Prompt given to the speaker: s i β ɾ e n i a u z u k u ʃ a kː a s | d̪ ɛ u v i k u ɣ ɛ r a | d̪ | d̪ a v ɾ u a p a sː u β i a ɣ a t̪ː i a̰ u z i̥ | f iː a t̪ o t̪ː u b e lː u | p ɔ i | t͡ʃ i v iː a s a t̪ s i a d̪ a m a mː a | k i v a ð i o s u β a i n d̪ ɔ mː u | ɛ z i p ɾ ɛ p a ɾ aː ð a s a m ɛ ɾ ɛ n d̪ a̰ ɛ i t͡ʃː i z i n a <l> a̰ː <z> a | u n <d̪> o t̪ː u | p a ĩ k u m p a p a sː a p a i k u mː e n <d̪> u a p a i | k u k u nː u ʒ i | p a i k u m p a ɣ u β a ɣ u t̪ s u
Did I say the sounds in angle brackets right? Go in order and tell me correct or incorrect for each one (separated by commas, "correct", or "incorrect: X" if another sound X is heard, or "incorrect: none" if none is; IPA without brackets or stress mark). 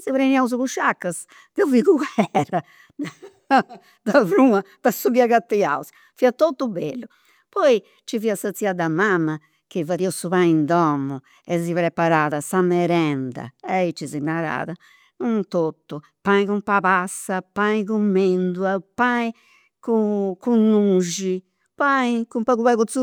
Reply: incorrect: ɾ, incorrect: ð, incorrect: t̪, correct